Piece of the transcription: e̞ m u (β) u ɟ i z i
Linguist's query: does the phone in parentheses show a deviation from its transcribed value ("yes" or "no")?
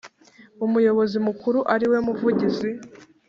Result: yes